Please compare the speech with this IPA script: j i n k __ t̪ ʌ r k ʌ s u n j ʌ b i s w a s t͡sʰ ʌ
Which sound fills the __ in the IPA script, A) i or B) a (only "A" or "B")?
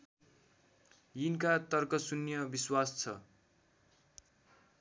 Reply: B